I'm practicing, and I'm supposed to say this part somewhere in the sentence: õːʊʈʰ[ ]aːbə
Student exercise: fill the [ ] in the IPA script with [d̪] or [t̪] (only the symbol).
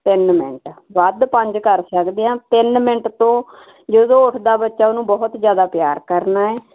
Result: d̪